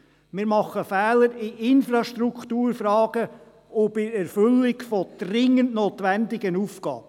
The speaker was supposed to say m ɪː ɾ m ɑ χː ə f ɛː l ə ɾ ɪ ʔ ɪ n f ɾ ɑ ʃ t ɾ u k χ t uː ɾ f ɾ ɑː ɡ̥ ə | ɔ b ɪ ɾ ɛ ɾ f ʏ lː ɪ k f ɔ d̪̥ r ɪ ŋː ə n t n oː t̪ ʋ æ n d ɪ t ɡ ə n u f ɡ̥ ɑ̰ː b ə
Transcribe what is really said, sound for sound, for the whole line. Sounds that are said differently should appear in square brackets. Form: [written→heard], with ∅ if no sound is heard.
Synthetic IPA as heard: m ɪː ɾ m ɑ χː ə f ɛː l ə ɾ ɪ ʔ ɪ n f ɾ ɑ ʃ t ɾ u k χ t uː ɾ f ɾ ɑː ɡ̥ ə | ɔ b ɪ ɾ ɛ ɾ f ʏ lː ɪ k f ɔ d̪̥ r ɪ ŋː ə n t n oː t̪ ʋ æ n d ɪ [t→∅] ɡ ə n u f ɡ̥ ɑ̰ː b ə